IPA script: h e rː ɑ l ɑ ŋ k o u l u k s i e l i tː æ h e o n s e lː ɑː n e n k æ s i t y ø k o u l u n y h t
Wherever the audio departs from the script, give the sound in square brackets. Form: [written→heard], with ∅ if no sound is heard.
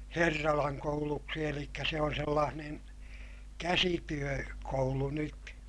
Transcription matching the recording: h e rː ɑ l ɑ ŋ k o u l u k s i e l i [tː→kː] æ [h→s] e o n s e lː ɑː n e n k æ s i t y ø k o u l u n y [h→∅] t

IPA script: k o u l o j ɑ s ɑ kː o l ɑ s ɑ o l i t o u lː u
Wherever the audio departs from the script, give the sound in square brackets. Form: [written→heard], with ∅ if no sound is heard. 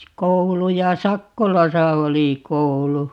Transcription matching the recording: k o u l [o→u] j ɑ s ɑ kː o l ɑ s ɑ o l i [t→k] o u [lː→l] u

